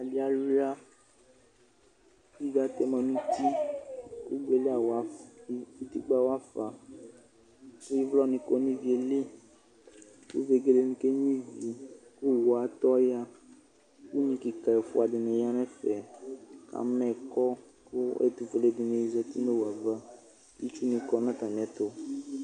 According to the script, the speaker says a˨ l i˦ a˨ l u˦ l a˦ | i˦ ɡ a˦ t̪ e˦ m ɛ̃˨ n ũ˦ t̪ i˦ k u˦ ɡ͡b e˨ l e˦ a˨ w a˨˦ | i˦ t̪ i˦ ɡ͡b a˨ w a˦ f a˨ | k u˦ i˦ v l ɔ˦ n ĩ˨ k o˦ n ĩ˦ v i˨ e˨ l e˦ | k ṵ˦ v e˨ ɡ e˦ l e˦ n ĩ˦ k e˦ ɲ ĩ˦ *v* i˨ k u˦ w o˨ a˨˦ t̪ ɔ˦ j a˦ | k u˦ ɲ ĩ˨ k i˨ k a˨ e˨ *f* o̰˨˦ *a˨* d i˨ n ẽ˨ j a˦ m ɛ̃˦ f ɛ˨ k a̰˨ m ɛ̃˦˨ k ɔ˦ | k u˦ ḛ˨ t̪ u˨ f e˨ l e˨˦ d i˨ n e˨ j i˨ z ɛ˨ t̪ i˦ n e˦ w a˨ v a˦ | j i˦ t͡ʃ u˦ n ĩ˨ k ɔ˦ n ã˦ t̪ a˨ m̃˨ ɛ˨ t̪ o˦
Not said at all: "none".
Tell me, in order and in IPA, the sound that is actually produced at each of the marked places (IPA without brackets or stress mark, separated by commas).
v, f, a˨